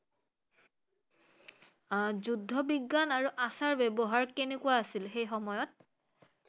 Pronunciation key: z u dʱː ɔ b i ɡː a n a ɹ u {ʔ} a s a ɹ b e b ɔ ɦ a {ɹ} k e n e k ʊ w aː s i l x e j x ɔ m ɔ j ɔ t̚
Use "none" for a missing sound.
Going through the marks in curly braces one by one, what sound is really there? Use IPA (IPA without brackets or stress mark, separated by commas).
ʔ, ɹ